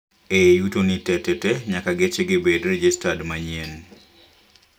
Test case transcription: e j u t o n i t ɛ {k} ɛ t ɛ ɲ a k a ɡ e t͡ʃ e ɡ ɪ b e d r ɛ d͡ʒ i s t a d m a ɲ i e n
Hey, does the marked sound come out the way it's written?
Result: no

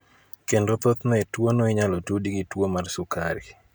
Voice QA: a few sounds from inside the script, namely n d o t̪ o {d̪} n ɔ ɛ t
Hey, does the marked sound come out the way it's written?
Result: no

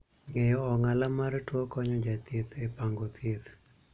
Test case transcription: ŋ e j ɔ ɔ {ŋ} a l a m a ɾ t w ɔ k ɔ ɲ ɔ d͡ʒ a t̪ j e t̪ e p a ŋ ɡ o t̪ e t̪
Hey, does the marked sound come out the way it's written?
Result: yes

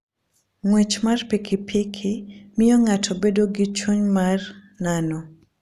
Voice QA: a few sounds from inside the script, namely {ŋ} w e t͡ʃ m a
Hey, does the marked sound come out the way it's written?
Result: yes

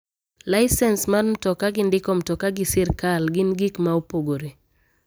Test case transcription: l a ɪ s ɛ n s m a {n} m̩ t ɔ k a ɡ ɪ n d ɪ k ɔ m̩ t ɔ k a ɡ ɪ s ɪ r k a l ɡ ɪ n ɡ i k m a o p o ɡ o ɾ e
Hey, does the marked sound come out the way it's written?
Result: yes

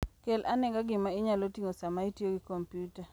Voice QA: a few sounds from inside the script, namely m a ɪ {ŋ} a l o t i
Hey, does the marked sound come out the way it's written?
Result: no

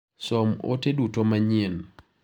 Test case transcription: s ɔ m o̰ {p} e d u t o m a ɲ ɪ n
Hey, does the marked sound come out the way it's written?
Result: no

